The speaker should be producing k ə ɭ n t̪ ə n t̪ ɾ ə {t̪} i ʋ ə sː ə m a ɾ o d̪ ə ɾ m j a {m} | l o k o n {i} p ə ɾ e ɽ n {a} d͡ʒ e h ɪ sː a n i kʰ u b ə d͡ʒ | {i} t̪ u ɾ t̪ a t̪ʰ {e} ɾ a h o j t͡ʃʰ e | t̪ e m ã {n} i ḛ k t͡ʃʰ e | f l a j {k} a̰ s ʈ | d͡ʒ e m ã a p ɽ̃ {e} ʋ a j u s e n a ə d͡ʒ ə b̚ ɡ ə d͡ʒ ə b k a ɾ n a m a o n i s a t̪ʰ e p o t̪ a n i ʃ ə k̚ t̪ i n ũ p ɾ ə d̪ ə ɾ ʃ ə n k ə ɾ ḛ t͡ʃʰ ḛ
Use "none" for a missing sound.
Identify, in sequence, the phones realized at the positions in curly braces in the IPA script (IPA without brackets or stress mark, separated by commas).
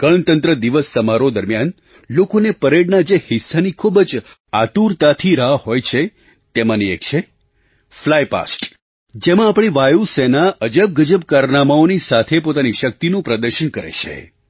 d̪, n, e, a, a, i, n, p, i